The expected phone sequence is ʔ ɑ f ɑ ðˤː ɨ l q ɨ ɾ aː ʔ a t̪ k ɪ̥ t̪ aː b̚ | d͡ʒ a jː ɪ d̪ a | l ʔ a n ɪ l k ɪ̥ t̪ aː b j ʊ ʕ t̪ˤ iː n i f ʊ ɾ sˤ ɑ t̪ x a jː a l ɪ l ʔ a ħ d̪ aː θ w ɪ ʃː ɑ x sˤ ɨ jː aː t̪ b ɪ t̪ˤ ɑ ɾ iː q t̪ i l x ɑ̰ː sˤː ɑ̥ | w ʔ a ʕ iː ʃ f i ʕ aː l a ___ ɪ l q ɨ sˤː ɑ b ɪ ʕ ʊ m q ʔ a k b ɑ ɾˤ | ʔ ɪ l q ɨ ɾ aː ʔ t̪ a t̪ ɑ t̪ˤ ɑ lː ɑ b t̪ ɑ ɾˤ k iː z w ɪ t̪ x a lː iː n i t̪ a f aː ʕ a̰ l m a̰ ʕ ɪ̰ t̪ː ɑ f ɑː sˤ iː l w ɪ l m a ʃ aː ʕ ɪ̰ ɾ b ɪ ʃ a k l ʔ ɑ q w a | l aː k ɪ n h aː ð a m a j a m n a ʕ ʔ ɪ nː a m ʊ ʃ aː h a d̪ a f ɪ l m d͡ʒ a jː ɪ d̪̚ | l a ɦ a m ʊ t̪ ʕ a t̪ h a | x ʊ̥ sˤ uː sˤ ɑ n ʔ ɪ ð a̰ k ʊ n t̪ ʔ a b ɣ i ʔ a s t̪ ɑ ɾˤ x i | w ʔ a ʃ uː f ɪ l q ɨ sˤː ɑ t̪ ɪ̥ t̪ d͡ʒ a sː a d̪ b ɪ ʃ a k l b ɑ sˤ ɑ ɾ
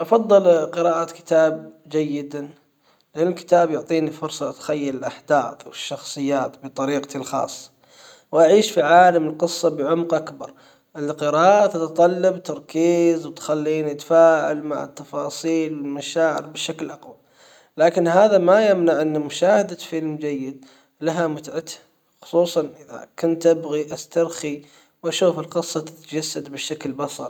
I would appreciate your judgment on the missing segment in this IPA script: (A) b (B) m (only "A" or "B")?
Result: B